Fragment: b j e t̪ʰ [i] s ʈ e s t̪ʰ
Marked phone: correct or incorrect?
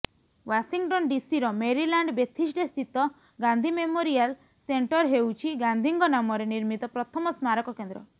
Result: correct